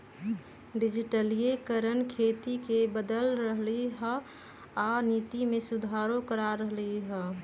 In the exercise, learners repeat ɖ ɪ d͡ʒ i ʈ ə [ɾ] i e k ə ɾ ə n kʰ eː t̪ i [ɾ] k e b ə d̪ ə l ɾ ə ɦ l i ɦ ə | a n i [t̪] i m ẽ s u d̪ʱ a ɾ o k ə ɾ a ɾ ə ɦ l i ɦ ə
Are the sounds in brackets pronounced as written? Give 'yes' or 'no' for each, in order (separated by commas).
no, no, yes